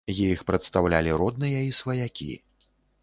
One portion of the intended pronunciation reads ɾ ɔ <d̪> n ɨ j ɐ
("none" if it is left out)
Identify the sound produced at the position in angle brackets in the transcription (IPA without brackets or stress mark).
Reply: d̪